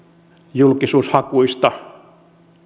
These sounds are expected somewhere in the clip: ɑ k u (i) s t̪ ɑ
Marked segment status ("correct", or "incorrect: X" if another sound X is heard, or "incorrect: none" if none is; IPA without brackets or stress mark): correct